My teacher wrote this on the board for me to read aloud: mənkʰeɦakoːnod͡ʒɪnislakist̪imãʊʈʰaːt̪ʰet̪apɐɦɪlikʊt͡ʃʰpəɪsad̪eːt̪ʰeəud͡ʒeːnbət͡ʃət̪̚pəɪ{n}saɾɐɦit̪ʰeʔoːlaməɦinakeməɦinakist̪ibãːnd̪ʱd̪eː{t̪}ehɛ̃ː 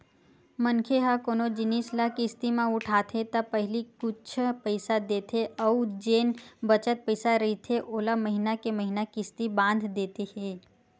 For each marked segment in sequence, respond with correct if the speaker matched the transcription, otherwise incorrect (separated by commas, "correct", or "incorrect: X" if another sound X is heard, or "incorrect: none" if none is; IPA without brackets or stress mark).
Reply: incorrect: none, correct